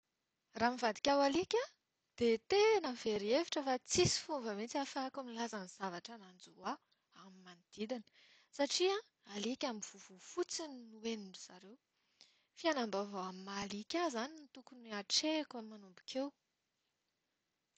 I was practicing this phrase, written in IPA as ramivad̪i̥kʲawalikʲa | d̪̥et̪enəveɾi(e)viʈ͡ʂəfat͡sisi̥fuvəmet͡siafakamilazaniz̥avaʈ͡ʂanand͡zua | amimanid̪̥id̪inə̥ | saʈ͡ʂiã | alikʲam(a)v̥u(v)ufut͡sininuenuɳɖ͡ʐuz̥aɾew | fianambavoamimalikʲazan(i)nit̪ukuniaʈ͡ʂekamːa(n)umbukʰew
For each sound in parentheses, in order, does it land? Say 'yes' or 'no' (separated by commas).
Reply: yes, no, yes, yes, yes